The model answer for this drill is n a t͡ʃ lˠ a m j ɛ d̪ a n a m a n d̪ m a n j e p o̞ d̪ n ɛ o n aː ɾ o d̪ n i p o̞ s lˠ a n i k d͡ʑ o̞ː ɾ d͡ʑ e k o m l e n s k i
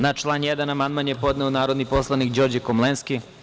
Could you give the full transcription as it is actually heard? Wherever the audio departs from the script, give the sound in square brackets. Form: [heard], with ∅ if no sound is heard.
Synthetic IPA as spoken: n a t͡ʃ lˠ a [n] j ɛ d̪ a n a m a n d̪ m a n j e p o̞ d̪ n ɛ o n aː ɾ o d̪ n i p o̞ s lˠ a n i k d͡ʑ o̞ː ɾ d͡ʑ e k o m l e n s k i

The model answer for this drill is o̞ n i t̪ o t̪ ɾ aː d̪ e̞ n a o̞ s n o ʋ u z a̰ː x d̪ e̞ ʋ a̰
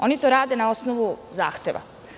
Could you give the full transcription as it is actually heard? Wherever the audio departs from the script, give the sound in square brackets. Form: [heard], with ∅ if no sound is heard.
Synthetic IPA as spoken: o̞ n i t̪ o [∅] ɾ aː d̪ e̞ n a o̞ s n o ʋ u z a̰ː x [t̪] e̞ ʋ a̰

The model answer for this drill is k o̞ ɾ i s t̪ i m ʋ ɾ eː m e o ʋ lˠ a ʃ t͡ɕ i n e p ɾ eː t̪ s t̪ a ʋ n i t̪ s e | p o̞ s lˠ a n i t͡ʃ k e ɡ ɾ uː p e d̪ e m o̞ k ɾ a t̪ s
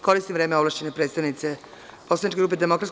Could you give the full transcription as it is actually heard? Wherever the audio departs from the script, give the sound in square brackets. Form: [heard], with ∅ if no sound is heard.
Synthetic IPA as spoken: k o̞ ɾ i s t̪ i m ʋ ɾ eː m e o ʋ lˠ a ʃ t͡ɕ [e] n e p ɾ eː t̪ s t̪ a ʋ n i t̪ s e | p o̞ s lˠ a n i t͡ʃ k e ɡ ɾ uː p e d̪ e m o̞ k ɾ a t̪ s

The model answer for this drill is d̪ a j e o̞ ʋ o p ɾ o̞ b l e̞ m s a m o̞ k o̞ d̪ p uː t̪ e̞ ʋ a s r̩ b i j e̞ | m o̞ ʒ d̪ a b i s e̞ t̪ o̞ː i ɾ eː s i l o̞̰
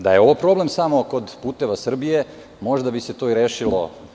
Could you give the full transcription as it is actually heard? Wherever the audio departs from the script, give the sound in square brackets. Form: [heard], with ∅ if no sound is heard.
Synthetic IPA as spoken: d̪ a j e o̞ ʋ o p ɾ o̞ b l e̞ m s a m o̞ k o̞ d̪ p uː t̪ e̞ ʋ a s r̩ b i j e̞ | m o̞ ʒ d̪ a b i s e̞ t̪ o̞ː i ɾ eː [ʃ] i l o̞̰

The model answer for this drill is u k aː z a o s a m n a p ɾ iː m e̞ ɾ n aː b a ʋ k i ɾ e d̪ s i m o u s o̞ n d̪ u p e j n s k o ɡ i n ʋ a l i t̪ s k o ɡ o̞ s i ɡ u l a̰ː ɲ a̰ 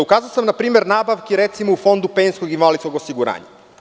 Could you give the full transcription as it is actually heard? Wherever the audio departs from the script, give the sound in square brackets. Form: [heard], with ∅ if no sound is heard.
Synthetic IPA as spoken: u k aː z a o s a m n a p ɾ iː m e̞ ɾ n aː b a ʋ k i ɾ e [t̪] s i m o u [f] o̞ n d̪ u p e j n s k o ɡ i n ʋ a l i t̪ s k o ɡ o̞ s i ɡ u [ɾ] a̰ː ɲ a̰

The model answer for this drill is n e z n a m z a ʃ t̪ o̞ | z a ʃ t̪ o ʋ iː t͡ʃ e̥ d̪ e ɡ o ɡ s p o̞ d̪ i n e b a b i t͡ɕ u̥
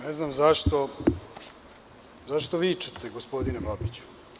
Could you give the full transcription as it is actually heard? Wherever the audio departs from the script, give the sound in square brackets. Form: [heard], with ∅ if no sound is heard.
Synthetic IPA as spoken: n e z n a m z a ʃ t̪ o̞ | z a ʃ t̪ o ʋ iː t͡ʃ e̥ [t̪] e ɡ o [∅] s p o̞ d̪ i n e b a b i t͡ɕ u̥

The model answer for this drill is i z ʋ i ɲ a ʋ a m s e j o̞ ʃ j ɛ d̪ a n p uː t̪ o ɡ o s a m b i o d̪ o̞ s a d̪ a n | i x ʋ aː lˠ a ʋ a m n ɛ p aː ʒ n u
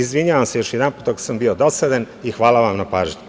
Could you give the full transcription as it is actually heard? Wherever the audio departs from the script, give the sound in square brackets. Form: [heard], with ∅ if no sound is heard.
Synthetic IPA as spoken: i z ʋ i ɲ a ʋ a m s e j o̞ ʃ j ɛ d̪ a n p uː t̪ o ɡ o s a m b i o d̪ o̞ s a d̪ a n | i x ʋ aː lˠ a ʋ a m n [a] p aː ʒ [ɲ] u

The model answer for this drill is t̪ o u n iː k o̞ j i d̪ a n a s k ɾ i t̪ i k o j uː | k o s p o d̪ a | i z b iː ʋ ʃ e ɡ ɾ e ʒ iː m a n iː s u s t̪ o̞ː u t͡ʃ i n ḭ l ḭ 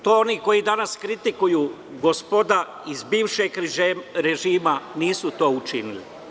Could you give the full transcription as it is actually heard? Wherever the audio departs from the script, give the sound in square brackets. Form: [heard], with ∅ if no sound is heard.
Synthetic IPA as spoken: t̪ o [o] n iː k o̞ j i d̪ a n a s k ɾ i t̪ i k [u] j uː | [ɡ] o s p o d̪ a | i z b iː ʋ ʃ e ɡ ɾ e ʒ iː m a n iː s u [∅] t̪ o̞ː u t͡ʃ i n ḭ l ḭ

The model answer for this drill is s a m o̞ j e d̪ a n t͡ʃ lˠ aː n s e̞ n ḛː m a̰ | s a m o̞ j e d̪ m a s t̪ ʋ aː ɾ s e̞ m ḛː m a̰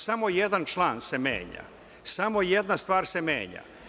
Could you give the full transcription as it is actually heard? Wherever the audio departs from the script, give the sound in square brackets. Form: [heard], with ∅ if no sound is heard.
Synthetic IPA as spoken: s a m o̞ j e d̪ a n t͡ʃ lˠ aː n s e̞ [m] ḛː [ɲ] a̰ | s a m o̞ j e d̪ [n] a s t̪ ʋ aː ɾ s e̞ m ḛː [ɲ] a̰

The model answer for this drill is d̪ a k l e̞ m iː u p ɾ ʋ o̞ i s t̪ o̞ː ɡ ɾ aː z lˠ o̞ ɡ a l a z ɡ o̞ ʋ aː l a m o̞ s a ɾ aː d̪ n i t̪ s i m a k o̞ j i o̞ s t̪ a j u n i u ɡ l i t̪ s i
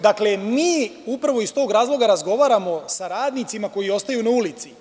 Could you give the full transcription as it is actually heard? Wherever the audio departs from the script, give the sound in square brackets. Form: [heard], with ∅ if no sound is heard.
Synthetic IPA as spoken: d̪ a k l e̞ m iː u p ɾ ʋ o̞ i s t̪ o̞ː ɡ ɾ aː z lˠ o̞ ɡ a [ɾ] a z ɡ o̞ ʋ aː [ɾ] a m o̞ s a ɾ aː d̪ n i t̪ s i m a k o̞ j i o̞ s t̪ a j u n [a] u [∅] l i t̪ s i

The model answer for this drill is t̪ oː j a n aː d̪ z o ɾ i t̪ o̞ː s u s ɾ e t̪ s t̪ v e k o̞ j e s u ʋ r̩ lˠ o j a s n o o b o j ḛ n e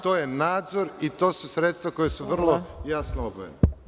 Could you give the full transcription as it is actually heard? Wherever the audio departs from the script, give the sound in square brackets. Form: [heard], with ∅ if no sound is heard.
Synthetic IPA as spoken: t̪ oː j [e] n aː d̪ z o ɾ i t̪ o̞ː s u s ɾ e t̪ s t̪ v [a] k o̞ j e s u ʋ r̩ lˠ o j a s n o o b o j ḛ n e

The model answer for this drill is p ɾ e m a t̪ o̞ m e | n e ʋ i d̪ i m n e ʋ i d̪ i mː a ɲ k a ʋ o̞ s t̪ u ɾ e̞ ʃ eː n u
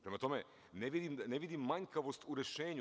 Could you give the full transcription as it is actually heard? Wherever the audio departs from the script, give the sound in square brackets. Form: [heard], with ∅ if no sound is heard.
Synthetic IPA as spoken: p ɾ e m a t̪ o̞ m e | n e ʋ i d̪ i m n e ʋ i d̪ i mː a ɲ k a ʋ o̞ s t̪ u ɾ e̞ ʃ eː [ɲ] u

